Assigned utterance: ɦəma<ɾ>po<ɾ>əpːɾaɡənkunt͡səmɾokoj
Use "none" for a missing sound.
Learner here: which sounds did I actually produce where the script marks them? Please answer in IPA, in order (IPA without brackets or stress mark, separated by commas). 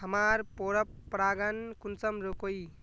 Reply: ɾ, ɾ